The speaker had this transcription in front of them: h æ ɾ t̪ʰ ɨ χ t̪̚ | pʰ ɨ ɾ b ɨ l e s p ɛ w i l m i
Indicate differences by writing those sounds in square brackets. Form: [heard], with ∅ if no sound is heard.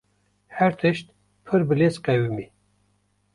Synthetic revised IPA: h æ ɾ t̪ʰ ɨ [ʃ] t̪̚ | pʰ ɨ ɾ b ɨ l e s [q] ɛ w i [∅] m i